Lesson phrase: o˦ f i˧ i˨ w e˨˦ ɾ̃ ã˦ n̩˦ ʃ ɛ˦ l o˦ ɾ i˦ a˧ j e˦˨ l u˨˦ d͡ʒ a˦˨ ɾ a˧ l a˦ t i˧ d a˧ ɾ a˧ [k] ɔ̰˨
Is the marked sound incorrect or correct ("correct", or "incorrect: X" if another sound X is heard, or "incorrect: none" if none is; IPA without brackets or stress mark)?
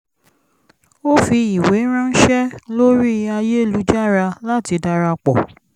incorrect: k͡p